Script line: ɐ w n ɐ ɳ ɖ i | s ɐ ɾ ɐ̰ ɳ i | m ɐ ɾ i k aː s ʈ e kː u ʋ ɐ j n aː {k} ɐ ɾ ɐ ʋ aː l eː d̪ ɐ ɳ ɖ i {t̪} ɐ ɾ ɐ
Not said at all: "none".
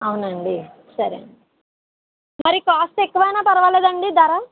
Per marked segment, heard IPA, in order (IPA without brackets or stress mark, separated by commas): p, d̪